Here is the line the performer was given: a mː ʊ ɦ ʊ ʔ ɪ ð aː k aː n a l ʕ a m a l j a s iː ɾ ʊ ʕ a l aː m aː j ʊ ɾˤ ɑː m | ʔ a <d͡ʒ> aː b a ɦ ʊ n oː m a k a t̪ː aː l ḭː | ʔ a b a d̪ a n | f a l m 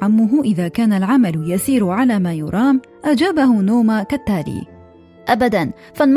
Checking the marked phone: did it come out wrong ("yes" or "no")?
no